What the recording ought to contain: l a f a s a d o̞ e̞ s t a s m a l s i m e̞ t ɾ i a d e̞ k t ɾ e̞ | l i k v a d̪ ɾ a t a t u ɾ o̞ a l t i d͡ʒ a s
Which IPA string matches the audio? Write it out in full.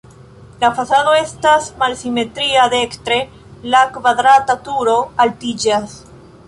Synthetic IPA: l a f a s a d o̞ e̞ s t a s m a l s i m e̞ t ɾ i a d e̞ k t ɾ e̞ | l a k v a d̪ ɾ a t a t u ɾ o̞ a l t i d͡ʒ a s